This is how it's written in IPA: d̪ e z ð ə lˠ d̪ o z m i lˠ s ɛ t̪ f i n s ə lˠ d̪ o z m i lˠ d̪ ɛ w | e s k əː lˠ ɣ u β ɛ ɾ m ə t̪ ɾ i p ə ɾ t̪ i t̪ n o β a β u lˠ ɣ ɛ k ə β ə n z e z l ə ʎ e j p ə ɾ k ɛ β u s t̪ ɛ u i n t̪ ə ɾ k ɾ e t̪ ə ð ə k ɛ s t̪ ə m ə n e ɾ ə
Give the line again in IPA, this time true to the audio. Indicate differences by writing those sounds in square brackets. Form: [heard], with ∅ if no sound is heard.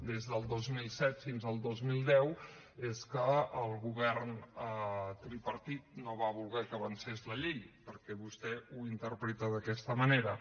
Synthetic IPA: d̪ e z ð ə lˠ d̪ o z m i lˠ s ɛ t̪ f i n [z] ə lˠ d̪ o z m i lˠ d̪ ɛ w | e s k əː lˠ ɣ u β ɛ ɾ [n] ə t̪ ɾ i p ə ɾ t̪ i t̪ n o β a β u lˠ ɣ ɛ k ə β ə n [s] e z l ə ʎ e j p ə ɾ k ɛ β u s t̪ ɛ u i n t̪ ə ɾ [p] ɾ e t̪ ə ð ə k ɛ s t̪ ə m ə n e ɾ ə